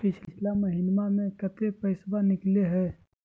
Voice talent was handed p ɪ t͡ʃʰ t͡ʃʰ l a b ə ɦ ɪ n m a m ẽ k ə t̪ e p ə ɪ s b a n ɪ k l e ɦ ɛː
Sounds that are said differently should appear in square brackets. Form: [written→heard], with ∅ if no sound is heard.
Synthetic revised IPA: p ɪ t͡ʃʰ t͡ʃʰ l a [b→m] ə ɦ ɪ n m a m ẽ k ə t̪ e p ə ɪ s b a n ɪ k l e ɦ ɛː